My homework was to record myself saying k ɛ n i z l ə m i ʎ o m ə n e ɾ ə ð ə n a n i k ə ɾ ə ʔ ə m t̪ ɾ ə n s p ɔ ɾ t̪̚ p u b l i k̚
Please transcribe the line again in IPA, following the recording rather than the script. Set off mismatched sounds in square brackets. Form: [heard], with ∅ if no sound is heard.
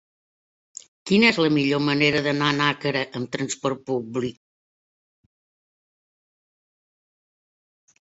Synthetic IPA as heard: k [i] n [ɛ] z l ə m i ʎ o m ə n e ɾ ə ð ə n a n [a] k ə ɾ ə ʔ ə m t̪ ɾ ə n s p ɔ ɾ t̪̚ p u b l i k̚